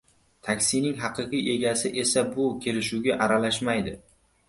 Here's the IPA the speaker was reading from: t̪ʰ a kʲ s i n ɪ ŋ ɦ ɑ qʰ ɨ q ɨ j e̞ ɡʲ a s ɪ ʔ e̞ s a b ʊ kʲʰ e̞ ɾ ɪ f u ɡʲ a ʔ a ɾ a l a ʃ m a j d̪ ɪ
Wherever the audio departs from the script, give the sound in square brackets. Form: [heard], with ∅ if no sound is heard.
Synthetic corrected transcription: t̪ʰ a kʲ s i n ɪ ŋ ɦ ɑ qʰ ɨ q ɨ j e̞ ɡʲ a s ɪ ʔ e̞ s a b ʊ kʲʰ e̞ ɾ ɪ [ʃ] u ɡʲ a ʔ a ɾ a l a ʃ m a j d̪ ɪ